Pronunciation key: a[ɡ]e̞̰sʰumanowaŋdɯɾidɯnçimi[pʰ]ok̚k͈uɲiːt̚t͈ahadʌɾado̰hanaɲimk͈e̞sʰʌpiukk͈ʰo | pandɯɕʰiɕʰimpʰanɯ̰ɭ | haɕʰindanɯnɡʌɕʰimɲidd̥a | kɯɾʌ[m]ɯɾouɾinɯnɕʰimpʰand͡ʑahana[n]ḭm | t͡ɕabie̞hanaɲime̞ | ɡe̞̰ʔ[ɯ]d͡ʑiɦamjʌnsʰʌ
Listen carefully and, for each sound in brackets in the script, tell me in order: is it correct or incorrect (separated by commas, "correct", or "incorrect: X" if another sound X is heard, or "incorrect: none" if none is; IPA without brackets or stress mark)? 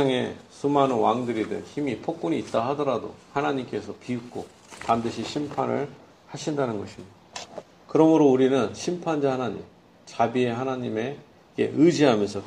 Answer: incorrect: ŋ, correct, correct, incorrect: ɲ, correct